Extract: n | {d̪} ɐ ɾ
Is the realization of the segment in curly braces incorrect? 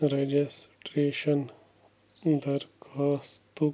no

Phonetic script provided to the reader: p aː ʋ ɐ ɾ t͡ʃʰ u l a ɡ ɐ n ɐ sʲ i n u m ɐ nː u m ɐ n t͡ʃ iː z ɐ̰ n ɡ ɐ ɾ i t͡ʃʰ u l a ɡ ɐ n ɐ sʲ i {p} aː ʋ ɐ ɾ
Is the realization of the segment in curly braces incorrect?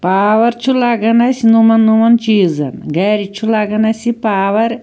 no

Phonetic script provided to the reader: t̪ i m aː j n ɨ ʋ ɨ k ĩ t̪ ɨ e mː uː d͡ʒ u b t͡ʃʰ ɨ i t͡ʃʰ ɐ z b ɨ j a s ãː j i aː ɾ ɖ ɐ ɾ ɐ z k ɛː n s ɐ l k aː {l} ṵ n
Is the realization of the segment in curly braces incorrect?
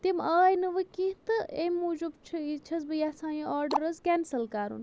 yes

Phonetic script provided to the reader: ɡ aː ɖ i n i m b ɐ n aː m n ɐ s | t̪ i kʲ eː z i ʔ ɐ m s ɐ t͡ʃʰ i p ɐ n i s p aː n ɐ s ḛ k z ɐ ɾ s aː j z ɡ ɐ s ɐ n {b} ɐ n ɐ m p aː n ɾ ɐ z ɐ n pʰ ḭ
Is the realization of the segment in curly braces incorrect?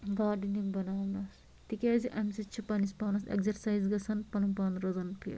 yes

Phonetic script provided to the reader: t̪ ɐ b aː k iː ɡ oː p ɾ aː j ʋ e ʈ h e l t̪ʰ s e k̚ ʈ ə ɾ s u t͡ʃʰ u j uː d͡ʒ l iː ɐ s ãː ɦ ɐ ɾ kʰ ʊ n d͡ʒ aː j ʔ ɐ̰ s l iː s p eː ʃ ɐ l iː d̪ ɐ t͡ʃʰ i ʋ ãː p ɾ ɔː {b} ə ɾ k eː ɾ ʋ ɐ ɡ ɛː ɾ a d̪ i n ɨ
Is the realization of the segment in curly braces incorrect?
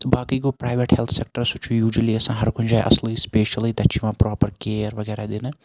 yes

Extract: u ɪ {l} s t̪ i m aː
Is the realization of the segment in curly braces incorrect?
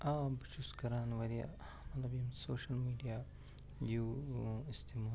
yes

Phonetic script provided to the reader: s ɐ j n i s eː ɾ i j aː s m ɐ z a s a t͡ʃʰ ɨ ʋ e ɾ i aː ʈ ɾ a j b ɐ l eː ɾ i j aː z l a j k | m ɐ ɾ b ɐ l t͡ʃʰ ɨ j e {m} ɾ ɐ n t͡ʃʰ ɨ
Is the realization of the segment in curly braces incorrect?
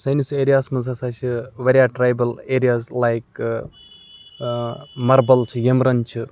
no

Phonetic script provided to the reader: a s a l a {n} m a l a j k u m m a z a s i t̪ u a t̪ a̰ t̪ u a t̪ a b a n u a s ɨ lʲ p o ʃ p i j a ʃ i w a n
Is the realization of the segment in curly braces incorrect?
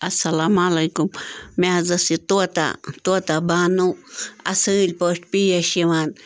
yes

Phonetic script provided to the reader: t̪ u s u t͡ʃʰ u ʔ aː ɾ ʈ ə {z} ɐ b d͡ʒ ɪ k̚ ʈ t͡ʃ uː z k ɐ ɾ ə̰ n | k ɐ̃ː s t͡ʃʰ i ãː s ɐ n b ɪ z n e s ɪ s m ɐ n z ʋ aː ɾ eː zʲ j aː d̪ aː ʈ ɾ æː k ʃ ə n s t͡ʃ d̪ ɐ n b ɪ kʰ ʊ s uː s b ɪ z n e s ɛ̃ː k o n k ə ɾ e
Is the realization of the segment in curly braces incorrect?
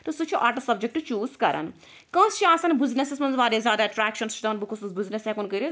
yes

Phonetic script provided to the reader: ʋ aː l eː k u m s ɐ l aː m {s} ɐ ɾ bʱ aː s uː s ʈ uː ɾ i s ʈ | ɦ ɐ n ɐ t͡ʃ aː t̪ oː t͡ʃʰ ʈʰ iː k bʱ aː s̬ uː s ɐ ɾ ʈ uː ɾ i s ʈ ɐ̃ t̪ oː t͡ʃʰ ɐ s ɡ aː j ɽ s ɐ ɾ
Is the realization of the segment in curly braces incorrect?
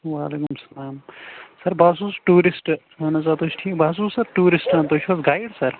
no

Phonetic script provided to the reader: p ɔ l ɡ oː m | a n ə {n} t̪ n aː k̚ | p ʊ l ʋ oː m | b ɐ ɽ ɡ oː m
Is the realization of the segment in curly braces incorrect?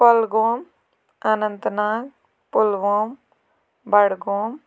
no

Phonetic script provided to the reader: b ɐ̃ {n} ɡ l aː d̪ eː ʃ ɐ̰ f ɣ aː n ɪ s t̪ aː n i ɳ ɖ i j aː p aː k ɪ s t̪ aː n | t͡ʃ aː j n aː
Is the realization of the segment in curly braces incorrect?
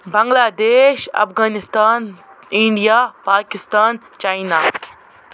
yes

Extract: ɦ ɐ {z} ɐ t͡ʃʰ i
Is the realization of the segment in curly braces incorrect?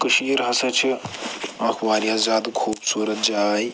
yes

